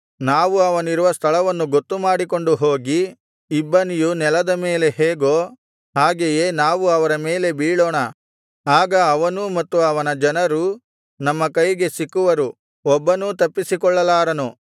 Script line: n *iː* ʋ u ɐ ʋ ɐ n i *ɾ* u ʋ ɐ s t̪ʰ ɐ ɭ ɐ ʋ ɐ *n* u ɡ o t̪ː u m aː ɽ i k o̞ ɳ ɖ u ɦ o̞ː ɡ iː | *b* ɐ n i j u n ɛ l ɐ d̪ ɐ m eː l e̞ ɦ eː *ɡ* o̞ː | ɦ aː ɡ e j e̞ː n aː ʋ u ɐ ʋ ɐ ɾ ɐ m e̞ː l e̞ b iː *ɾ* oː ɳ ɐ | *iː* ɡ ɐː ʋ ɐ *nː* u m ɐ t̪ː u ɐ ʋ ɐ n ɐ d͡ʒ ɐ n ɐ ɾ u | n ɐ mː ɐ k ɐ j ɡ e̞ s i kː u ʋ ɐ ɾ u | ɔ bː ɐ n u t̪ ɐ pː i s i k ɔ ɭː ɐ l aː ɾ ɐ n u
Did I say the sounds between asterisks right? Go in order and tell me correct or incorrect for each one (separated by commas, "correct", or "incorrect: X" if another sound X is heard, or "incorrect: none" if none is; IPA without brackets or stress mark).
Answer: incorrect: aː, correct, incorrect: nː, incorrect: bː, correct, incorrect: ɭ, incorrect: aː, incorrect: n